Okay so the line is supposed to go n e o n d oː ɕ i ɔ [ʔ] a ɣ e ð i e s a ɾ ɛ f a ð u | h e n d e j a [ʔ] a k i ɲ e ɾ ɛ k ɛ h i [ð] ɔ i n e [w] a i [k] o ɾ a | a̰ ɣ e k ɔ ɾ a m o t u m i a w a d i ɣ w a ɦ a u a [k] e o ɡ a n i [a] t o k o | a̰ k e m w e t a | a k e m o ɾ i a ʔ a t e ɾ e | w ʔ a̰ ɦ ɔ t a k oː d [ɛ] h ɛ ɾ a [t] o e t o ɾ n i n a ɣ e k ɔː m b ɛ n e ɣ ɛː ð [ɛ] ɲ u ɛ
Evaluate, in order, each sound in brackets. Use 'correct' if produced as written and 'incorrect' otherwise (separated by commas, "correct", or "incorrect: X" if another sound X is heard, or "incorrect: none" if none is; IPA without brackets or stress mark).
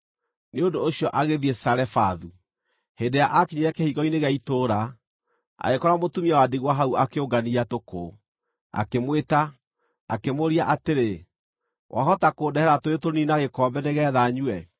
correct, correct, incorrect: ɣ, incorrect: ɣ, incorrect: t, correct, correct, correct, correct, incorrect: a